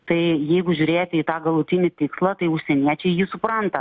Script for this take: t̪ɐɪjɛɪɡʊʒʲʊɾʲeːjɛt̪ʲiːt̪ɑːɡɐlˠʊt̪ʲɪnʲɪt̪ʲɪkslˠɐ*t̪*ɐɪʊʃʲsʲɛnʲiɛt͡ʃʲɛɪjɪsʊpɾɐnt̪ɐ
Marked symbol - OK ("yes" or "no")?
yes